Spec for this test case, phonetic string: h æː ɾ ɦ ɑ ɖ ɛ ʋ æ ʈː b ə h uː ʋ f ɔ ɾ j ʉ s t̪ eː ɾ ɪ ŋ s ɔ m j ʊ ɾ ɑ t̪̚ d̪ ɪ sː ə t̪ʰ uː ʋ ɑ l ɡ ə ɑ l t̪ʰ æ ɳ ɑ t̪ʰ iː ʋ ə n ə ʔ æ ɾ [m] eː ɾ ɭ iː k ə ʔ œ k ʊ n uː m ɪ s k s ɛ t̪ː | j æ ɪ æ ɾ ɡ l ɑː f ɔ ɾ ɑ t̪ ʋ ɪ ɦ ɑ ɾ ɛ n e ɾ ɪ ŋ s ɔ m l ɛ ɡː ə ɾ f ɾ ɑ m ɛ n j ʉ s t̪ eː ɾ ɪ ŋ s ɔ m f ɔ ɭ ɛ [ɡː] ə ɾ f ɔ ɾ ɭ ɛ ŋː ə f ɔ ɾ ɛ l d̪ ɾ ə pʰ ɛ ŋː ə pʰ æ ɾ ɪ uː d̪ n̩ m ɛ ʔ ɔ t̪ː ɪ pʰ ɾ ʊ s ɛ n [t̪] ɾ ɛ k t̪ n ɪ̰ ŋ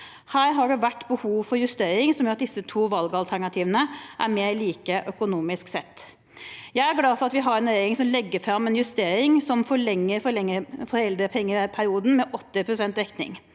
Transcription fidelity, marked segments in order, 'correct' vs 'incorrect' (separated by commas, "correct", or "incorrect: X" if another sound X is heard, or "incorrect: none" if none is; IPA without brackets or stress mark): correct, incorrect: ŋː, correct